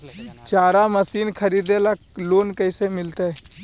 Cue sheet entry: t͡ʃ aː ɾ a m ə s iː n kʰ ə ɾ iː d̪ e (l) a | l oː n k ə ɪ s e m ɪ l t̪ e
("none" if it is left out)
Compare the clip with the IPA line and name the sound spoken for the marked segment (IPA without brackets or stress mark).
l